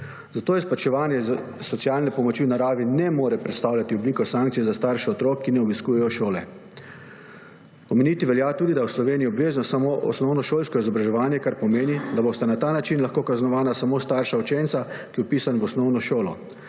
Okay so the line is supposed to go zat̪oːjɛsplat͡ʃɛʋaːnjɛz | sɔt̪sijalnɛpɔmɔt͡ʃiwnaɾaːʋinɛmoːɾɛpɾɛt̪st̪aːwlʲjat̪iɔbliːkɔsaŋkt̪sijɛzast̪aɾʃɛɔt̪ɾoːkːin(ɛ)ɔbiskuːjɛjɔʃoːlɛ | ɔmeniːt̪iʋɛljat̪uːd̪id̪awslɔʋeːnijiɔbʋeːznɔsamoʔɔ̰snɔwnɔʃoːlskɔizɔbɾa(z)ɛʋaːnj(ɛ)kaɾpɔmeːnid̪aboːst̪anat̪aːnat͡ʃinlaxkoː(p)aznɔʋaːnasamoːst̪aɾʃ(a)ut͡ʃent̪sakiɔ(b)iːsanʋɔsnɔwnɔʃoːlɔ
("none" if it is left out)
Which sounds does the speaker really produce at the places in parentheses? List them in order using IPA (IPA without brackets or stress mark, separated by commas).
ɛ, ʒ, ɛ, k, a, p